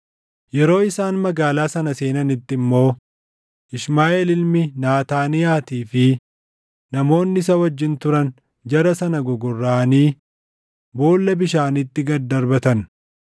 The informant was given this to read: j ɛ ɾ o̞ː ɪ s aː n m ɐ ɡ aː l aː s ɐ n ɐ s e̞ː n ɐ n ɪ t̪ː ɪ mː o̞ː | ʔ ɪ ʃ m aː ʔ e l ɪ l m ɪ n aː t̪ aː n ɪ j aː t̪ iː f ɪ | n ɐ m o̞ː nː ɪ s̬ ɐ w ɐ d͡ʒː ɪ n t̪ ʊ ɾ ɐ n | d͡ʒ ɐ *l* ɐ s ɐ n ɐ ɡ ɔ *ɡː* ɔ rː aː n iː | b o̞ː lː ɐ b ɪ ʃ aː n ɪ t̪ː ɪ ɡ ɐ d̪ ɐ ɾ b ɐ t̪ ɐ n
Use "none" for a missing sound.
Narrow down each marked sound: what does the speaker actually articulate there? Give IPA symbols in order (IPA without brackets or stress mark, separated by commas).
ɾ, ɡ